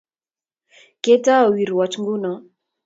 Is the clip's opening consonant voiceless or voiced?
voiceless